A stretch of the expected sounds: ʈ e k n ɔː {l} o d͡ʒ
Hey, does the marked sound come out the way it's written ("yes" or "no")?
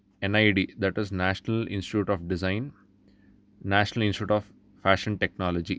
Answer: yes